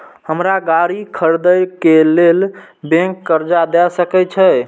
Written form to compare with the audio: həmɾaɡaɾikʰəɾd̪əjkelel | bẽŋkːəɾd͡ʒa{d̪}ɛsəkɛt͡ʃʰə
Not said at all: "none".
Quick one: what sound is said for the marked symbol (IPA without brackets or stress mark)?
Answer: d̪